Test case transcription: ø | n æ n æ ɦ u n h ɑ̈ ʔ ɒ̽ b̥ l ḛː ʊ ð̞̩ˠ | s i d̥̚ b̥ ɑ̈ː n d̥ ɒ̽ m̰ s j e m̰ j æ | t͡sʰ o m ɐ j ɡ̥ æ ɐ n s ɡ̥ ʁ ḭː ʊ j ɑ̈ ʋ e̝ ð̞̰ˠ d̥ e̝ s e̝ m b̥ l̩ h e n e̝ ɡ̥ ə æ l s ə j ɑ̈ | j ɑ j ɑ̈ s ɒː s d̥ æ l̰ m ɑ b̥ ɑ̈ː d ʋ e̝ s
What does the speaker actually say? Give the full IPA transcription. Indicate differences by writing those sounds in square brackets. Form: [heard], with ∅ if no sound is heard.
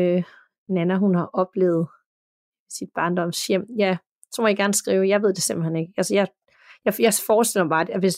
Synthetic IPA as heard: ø | n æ n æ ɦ u n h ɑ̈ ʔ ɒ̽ b̥ l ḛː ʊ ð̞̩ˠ | s i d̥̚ b̥ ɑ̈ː n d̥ ɒ̽ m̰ s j e m̰ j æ | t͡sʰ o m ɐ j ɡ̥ æ ɐ n s ɡ̥ ʁ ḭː ʊ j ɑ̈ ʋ e̝ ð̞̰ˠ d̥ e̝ s e̝ m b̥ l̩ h e n e̝ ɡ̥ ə æ l s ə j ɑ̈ | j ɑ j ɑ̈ [f] ɒː s d̥ [e] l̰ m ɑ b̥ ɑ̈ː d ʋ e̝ s